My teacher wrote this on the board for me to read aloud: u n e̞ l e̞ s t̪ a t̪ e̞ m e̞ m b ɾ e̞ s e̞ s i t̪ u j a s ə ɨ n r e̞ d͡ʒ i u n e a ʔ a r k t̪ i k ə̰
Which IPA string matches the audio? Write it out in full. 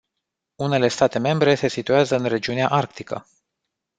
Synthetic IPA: u n e̞ l e̞ s t̪ a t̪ e̞ m e̞ m b ɾ e̞ s e̞ s i t̪ u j a z ə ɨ n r e̞ d͡ʒ i u n e a ʔ a r k t̪ i k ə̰